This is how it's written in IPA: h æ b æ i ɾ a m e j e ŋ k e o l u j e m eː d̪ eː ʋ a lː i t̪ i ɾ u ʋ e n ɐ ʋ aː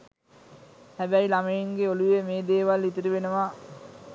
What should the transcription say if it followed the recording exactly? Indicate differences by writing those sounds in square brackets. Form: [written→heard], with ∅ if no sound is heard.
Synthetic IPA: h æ b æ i [ɾ→l] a m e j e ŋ [k→ɡ] e o l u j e m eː d̪ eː ʋ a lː i t̪ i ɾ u ʋ e n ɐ ʋ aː